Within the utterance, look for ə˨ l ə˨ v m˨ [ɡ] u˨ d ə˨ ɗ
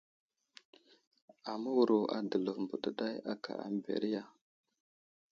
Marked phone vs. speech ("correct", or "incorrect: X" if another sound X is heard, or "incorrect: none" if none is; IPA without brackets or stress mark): incorrect: b